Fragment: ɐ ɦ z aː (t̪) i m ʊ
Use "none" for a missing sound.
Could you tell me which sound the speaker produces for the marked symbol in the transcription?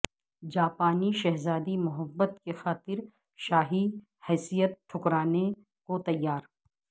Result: d̪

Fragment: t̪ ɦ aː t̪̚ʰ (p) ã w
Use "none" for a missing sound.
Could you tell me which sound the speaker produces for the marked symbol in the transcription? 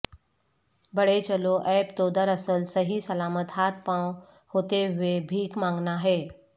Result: p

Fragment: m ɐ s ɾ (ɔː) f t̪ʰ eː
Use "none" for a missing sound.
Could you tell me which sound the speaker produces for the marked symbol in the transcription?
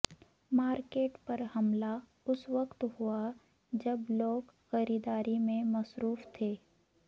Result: uː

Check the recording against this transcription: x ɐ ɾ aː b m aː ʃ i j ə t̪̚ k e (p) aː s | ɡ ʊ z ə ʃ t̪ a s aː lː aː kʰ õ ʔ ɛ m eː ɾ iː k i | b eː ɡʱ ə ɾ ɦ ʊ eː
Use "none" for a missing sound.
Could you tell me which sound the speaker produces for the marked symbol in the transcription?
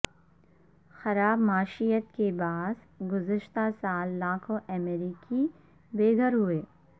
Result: b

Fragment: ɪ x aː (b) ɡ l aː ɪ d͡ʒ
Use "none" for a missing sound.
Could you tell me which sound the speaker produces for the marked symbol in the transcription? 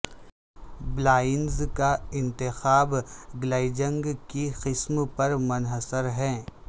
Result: b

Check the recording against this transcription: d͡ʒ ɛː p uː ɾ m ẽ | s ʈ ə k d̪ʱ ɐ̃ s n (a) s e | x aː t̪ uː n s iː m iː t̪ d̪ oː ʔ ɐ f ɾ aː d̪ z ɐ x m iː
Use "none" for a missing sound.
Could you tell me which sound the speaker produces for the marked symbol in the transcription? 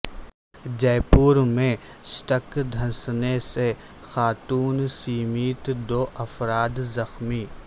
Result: e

